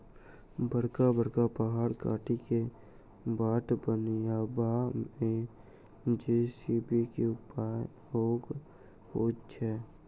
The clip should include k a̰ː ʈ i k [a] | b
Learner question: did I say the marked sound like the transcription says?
no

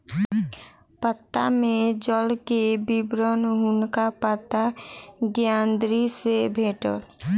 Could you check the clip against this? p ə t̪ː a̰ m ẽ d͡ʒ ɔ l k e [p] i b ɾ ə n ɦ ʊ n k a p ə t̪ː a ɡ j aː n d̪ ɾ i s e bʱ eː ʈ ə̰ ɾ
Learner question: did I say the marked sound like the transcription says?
no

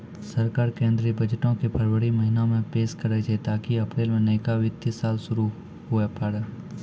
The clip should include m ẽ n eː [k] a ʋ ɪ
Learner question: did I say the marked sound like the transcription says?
yes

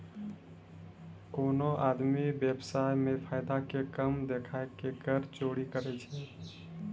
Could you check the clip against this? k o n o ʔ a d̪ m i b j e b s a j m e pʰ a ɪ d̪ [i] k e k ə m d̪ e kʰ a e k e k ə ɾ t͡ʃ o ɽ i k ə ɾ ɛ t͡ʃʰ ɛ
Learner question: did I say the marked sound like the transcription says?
no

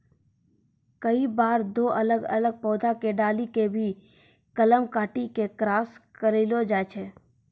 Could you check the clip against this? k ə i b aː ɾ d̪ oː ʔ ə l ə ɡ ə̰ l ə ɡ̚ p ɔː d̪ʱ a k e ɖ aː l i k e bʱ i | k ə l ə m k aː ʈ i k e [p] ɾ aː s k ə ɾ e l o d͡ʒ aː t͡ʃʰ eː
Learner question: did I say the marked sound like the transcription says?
no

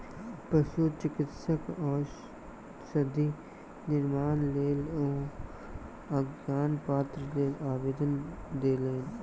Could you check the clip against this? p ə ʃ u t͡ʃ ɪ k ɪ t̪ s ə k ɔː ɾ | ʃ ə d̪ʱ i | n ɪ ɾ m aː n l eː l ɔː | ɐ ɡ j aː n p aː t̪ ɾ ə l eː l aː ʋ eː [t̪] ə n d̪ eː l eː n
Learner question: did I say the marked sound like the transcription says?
no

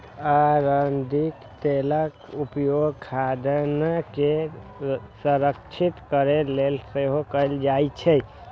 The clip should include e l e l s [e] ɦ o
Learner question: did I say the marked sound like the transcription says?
yes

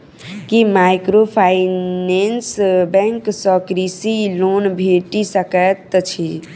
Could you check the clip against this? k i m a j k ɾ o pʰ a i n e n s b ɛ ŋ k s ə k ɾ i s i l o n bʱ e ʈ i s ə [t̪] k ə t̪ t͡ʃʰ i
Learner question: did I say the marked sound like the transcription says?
no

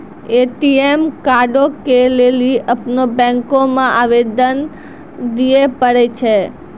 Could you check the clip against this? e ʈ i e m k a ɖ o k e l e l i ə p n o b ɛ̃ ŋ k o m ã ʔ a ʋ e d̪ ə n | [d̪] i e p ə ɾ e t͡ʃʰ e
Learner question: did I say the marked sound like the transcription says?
yes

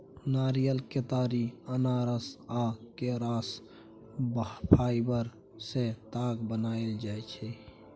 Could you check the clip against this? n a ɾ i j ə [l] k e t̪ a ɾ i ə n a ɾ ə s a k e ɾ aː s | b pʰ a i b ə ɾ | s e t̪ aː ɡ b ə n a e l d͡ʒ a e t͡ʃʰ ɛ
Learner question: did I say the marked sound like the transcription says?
yes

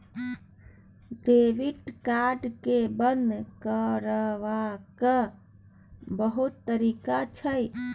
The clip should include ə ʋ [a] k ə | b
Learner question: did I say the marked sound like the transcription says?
yes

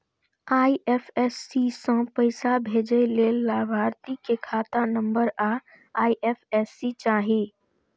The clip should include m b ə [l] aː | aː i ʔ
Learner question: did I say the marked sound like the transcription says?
no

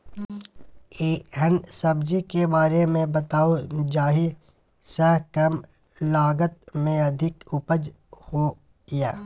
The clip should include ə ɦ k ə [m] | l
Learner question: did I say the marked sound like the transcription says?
yes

